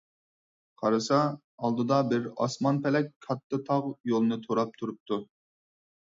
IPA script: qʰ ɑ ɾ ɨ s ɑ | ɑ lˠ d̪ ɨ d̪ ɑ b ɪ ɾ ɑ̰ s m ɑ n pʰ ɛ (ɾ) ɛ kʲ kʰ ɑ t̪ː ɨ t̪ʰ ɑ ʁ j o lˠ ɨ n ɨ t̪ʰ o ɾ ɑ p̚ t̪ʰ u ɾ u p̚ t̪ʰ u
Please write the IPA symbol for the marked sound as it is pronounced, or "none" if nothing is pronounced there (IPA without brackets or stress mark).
l